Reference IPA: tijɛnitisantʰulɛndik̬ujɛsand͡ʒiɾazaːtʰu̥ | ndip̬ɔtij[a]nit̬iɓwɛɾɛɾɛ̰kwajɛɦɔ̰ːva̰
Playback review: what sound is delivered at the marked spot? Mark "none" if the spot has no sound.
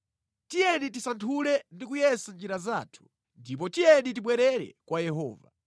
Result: ɛ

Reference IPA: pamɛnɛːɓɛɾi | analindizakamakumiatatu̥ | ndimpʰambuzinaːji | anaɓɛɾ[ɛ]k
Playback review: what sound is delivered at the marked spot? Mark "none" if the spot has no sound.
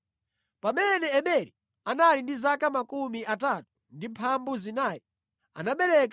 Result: ɛ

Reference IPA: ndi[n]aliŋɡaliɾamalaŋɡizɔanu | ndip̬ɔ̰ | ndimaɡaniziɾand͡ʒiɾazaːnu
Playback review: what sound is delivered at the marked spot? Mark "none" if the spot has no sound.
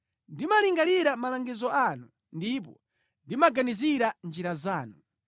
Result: m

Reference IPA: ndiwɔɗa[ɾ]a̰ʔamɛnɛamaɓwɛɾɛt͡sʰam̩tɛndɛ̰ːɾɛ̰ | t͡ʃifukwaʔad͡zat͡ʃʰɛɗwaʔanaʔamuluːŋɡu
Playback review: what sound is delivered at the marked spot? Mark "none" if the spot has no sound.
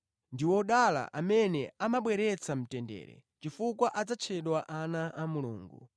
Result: l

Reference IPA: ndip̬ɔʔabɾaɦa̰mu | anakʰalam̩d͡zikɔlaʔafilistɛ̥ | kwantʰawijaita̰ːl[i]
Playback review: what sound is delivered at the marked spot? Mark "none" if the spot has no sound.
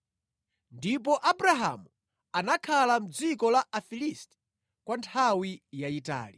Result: i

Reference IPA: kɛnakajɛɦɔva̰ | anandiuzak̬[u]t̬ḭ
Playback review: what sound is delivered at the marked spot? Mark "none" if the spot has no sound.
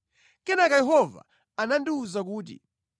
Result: uː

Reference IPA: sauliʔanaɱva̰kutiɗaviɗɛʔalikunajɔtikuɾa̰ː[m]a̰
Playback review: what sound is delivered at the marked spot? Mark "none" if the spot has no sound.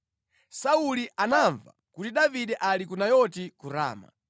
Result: m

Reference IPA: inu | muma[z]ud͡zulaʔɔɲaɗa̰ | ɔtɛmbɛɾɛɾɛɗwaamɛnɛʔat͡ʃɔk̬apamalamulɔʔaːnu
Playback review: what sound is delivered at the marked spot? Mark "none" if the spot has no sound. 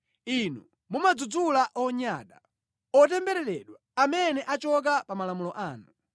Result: d͡z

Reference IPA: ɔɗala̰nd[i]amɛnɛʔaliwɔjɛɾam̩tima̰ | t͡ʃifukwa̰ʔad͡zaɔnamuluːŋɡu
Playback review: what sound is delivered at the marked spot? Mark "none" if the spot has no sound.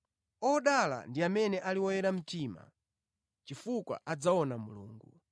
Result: i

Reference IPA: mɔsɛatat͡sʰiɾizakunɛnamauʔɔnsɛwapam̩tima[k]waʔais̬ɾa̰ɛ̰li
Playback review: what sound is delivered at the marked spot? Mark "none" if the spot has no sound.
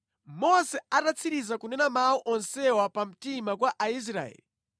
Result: k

